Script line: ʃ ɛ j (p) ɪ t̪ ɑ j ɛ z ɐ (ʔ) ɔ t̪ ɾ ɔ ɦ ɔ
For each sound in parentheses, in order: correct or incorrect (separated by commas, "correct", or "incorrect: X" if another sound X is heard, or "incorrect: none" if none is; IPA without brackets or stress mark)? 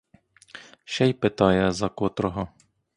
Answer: correct, incorrect: k